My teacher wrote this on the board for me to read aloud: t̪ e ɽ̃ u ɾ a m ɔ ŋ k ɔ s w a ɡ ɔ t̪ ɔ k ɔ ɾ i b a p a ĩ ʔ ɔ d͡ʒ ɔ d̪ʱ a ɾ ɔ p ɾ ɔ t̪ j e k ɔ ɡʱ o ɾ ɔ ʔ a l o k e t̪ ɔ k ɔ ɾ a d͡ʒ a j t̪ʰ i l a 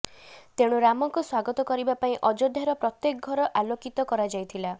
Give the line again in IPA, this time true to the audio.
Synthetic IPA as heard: t̪ e ɽ̃ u ɾ a m ɔ ŋ k u s w a ɡ ɔ t̪ ɔ k ɔ ɾ i b a p a ĩ ʔ ɔ d͡ʒ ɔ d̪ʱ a ɾ ɔ p ɾ ɔ t̪ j e k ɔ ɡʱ ɔ ɾ ɔ ʔ a l o k i t̪ ɔ k ɔ ɾ a d͡ʒ a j t̪ʰ i l a

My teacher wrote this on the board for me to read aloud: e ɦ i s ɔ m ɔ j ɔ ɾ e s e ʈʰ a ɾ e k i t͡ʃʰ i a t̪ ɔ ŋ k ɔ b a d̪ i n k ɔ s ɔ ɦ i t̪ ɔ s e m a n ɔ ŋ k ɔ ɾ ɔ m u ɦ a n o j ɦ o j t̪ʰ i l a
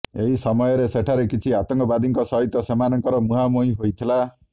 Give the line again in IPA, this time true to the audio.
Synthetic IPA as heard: e ɦ i s ɔ m ɔ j ɔ ɾ e s e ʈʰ a ɾ e k i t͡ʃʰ i a t̪ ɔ ŋ k ɔ b a d̪ i ŋ k ɔ s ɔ ɦ i t̪ ɔ s e m a n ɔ ŋ k ɔ ɾ ɔ m u ɦ a m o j ɦ o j t̪ʰ i l a

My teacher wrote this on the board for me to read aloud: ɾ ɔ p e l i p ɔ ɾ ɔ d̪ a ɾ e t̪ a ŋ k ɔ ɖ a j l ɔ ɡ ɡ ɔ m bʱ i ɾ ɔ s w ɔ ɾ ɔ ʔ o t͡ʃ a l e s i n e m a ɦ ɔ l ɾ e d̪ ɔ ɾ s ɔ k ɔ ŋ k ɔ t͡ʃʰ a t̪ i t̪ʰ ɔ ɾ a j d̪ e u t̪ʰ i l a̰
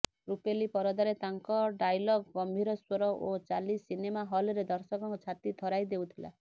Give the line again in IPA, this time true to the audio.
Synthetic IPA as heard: ɾ u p e l i p ɔ ɾ ɔ d̪ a ɾ e t̪ a ŋ k ɔ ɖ a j l ɔ ɡ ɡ ɔ m bʱ i ɾ ɔ s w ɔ ɾ ɔ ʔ o t͡ʃ a l i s i n e m a ɦ ɔ l ɾ e d̪ ɔ ɾ s ɔ k ɔ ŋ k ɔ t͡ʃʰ a t̪ i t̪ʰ ɔ ɾ a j d̪ e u t̪ʰ i l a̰

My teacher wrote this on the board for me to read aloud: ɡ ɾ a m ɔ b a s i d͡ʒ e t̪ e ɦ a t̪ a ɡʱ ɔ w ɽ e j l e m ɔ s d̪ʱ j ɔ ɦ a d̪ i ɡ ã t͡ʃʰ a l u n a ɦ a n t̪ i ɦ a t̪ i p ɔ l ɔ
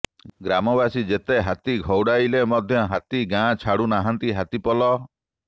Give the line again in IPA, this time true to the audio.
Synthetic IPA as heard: ɡ ɾ a m ɔ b a s i d͡ʒ e t̪ e ɦ a t̪ i ɡʱ ɔ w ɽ a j l e m ɔ d̪ʱ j ɔ ɦ a t̪ i ɡ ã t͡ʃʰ a ɽ u n a ɦ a n t̪ i ɦ a t̪ i p ɔ l ɔ

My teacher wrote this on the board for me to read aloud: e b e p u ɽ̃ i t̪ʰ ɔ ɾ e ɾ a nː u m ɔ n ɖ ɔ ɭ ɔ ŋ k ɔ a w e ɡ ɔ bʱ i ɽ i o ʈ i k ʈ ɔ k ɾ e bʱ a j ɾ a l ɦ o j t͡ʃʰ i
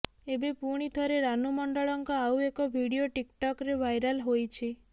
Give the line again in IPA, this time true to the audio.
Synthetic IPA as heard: e b e p u ɽ̃ i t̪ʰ ɔ ɾ e ɾ a n u m ɔ ɳ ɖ ɔ ɭ ɔ ŋ k ɔ a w e k ɔ bʱ i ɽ i o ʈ i k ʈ ɔ k ɾ e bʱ a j ɾ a l ɦ o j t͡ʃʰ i

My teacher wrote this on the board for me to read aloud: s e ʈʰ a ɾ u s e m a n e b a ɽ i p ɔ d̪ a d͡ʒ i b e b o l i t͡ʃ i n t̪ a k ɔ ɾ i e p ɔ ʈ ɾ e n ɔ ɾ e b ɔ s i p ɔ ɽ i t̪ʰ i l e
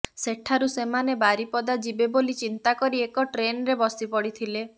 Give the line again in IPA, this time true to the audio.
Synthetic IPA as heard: s e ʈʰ a ɾ u s e m a n e b a ɾ i p ɔ d̪ a d͡ʒ i b e b o l i t͡ʃ i n t̪ a k ɔ ɾ i e k ɔ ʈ ɾ e n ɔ ɾ e b ɔ s i p ɔ ɽ i t̪ʰ i l e

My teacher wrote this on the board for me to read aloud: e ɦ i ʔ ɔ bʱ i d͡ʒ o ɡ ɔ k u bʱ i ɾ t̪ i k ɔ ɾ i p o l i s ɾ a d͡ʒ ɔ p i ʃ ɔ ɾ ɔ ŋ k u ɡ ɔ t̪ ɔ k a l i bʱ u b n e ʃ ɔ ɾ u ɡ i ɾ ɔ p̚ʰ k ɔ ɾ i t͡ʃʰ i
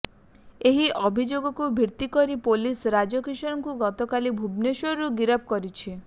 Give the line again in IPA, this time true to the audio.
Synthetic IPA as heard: e ɦ i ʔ ɔ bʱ i d͡ʒ o ɡ ɔ k u bʱ i ɾ t̪ i k ɔ ɾ i p o l i s ɾ a d͡ʒ ɔ k i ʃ ɔ ɾ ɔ ŋ k u ɡ ɔ t̪ ɔ k a l i bʱ u b n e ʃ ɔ ɾ u ɡ i ɾ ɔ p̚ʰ k ɔ ɾ i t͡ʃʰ i

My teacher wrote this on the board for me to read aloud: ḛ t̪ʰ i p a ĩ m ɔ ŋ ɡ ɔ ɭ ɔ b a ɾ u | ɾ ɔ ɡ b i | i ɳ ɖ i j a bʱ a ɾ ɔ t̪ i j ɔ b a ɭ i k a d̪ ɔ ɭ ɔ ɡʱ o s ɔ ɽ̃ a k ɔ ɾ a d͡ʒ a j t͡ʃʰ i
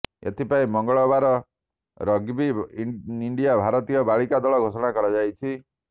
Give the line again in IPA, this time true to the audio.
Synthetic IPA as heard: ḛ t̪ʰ i p a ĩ m ɔ ŋ ɡ ɔ ɭ ɔ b a ɾ ɔ | ɾ ɔ ɡ b i | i ɳ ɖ i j a bʱ a ɾ ɔ t̪ i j ɔ b a ɭ i k a d̪ ɔ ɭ ɔ ɡʱ o s ɔ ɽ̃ a k ɔ ɾ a d͡ʒ a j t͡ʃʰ i

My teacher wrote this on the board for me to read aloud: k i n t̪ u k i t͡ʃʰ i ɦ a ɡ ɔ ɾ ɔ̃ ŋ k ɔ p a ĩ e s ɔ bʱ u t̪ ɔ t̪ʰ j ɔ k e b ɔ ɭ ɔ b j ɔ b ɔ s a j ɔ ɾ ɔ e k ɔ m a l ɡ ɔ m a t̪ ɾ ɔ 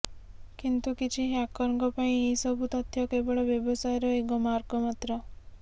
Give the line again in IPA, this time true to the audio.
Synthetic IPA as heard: k i n t̪ u k i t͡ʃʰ i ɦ a k ɔ ɾ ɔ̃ ŋ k ɔ p a ĩ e s ɔ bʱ u t̪ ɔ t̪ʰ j ɔ k e b ɔ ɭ ɔ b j ɔ b ɔ s a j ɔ ɾ ɔ e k ɔ m a ɾ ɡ ɔ m a t̪ ɾ ɔ

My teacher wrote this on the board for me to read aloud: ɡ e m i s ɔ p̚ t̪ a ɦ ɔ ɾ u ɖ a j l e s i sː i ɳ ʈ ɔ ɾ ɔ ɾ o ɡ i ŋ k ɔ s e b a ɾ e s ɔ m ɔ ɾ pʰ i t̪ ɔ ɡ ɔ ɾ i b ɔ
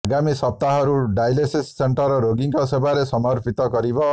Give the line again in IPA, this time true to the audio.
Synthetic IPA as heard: ɡ a m i s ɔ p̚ t̪ a ɦ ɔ ɾ u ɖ a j l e s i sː e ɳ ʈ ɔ ɾ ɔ ɾ o ɡ i ŋ k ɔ s e b a ɾ e s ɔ m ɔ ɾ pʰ i t̪ ɔ ɡ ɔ ɾ i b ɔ

